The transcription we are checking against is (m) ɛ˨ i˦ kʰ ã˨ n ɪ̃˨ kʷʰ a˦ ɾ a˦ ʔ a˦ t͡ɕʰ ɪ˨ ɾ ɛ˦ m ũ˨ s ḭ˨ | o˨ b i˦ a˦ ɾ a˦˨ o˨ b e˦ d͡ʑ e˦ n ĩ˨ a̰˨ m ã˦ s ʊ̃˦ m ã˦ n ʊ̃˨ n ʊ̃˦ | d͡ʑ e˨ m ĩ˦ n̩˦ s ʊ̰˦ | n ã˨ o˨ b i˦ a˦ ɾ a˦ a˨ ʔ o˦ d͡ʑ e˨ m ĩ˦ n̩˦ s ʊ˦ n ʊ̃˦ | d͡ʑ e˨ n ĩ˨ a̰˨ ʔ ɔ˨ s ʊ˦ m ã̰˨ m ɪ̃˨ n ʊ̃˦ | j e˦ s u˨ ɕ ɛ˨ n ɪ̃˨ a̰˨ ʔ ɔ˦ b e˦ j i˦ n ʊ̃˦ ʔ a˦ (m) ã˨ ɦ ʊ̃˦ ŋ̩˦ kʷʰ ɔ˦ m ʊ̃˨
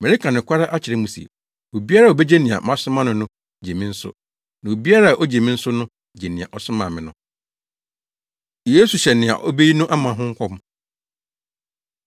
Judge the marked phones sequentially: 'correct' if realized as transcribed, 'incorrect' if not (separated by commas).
correct, correct